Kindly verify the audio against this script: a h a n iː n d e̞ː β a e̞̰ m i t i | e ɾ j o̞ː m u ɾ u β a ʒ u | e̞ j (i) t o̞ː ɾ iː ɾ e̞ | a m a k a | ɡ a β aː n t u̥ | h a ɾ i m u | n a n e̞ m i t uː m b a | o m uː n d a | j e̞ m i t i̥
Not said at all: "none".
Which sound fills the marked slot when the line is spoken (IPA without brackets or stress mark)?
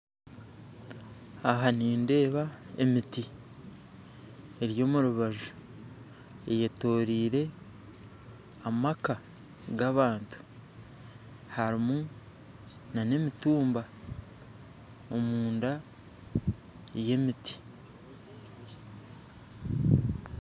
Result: e